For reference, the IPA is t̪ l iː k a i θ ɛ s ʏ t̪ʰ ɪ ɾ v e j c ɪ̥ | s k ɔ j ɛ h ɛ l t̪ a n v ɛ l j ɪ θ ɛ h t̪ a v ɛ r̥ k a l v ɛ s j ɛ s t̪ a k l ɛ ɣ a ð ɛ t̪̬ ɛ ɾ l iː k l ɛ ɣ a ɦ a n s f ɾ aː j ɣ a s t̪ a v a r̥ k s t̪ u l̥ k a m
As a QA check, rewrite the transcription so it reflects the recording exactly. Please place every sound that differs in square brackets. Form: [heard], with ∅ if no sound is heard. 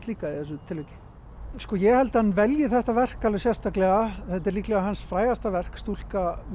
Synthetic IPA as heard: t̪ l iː k a i θ ɛ s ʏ t̪ʰ ɪ [l] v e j c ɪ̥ | s k ɔ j ɛ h ɛ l t̪ a n v ɛ l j ɪ θ ɛ h t̪ a v ɛ r̥ k a l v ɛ s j ɛ s t̪ a k l ɛ ɣ a [θ] ɛ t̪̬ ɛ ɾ l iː k l ɛ ɣ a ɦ a n s f ɾ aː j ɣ a s t̪ a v [ɛ] r̥ k s t̪ u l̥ k a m